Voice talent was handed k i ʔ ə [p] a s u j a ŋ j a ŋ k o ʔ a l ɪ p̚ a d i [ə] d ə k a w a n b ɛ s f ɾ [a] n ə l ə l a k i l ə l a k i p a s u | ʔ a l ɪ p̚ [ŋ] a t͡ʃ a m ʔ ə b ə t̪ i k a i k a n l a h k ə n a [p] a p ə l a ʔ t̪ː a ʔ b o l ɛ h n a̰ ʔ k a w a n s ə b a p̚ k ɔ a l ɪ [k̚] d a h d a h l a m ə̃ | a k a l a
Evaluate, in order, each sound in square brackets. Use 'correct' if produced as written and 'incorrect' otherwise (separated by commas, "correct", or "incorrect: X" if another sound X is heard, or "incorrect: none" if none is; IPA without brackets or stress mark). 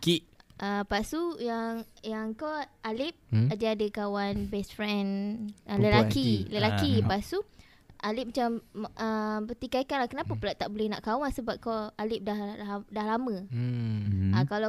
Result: correct, incorrect: a, incorrect: ɛ, incorrect: m, correct, incorrect: p̚